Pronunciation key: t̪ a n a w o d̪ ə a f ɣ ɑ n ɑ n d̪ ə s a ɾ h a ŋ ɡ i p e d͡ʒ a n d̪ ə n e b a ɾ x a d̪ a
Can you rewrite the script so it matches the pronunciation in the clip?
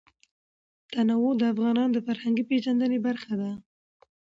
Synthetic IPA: t̪ a n a w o d̪ ə a f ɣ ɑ n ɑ n d̪ ə f a ɾ h a ŋ ɡ i p e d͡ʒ a n d̪ ə n e b a ɾ x a d̪ a